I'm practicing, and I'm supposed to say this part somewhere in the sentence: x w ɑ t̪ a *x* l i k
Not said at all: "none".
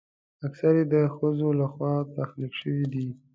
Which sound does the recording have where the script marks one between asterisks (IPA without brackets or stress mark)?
x